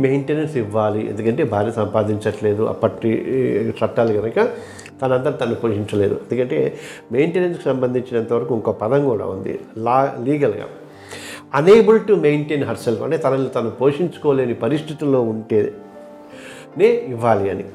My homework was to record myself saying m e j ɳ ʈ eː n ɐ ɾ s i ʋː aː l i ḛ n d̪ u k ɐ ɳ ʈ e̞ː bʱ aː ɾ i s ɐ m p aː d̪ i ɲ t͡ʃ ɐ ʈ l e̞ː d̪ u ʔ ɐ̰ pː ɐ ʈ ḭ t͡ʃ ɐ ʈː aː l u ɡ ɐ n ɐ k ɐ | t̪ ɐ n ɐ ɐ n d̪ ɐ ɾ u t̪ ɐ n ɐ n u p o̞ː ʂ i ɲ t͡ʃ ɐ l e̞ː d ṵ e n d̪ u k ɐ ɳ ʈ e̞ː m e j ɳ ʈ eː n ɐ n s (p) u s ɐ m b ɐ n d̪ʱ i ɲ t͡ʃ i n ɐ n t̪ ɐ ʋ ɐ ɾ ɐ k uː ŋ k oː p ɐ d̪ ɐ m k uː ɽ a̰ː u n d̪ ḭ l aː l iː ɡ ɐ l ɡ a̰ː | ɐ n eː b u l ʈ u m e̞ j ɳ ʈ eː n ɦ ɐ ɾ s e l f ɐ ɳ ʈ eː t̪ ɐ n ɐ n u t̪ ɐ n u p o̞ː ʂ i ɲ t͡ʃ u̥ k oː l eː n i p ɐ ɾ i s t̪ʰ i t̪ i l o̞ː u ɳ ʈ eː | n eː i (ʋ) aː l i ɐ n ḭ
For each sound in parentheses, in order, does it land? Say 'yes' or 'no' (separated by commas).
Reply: no, no